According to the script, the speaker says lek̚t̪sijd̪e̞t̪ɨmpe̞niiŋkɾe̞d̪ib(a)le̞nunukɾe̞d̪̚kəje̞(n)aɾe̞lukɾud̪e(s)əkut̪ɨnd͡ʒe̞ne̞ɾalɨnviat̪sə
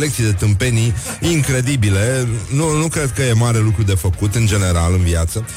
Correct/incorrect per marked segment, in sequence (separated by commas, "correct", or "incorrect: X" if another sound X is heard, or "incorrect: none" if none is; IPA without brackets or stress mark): incorrect: i, incorrect: m, incorrect: f